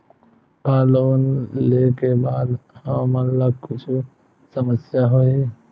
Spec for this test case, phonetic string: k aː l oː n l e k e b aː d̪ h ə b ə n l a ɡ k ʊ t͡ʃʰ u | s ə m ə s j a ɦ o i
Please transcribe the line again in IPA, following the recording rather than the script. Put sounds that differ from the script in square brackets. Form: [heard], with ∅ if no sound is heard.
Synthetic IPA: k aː l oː n l e k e b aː d̪ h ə [m] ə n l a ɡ k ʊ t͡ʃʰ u | s ə m ə s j a ɦ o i